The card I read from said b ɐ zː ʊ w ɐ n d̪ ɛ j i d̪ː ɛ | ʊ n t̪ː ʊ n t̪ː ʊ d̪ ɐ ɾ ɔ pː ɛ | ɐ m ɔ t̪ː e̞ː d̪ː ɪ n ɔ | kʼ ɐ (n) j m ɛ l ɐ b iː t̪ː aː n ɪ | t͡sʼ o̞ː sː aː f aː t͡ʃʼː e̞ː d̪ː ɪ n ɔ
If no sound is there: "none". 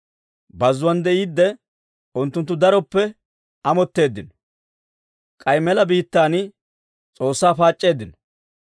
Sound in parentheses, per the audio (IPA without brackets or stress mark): none